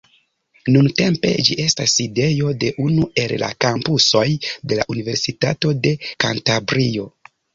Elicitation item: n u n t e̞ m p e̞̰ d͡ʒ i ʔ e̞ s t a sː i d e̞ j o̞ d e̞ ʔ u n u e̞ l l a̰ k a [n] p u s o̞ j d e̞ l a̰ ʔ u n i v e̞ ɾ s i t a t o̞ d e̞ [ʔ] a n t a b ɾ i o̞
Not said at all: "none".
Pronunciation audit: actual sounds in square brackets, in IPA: m, k

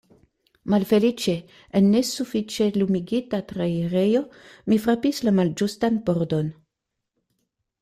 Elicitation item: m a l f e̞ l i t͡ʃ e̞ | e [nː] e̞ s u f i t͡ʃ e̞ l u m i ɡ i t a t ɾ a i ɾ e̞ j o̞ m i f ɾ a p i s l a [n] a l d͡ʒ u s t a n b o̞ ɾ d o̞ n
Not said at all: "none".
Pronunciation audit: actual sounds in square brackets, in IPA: nː, m

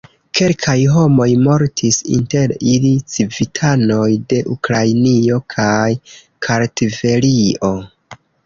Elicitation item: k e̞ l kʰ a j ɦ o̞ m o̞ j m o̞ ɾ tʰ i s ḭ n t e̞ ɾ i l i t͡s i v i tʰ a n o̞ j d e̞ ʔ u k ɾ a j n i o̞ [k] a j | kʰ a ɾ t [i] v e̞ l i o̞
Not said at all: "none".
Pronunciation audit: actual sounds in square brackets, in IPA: kʰ, i

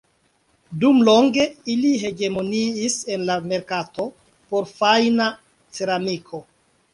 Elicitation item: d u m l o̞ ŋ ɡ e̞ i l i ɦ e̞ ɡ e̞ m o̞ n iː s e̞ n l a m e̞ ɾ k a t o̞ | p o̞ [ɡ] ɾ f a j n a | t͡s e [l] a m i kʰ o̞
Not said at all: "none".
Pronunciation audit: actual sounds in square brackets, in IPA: none, ɾ

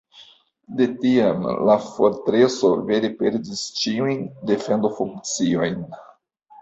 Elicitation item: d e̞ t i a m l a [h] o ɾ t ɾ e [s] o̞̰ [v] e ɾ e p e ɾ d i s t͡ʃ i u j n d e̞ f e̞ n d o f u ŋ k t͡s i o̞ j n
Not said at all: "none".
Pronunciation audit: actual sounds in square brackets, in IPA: f, s, v

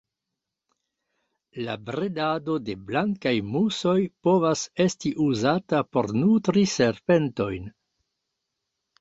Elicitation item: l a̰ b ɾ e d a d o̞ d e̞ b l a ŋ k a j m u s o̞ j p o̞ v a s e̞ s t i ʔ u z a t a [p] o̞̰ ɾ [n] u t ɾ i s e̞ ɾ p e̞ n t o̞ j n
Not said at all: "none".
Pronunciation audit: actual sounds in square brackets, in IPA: p, n

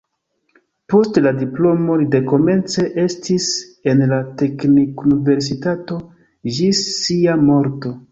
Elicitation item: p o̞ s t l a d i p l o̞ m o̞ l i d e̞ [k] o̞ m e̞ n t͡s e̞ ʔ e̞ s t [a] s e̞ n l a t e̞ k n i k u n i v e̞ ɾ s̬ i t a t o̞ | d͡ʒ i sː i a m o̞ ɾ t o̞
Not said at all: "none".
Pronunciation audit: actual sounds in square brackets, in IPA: k, i

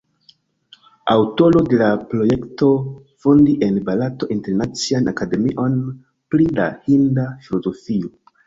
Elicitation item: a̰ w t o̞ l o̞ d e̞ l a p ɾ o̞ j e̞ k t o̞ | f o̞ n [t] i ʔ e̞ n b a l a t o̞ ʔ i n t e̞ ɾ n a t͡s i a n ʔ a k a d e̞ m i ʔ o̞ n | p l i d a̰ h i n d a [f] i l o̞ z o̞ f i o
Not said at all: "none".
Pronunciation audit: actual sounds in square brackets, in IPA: d, f

